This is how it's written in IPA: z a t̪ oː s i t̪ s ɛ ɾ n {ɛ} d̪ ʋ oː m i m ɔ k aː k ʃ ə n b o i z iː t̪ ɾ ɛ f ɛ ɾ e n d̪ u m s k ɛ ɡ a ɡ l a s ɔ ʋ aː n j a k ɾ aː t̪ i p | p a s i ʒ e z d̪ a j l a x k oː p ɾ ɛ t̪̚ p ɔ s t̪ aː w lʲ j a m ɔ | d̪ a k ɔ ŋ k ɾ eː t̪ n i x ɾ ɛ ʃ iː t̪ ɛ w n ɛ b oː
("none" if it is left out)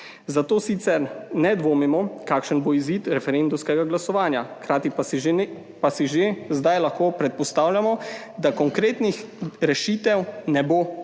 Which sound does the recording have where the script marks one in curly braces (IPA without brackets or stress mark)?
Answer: ɛ